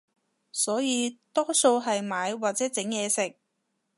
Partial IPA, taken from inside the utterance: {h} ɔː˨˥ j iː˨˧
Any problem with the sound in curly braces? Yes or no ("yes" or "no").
yes